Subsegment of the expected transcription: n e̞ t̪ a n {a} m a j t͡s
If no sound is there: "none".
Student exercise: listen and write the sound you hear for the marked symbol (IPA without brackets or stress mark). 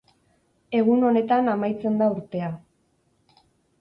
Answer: a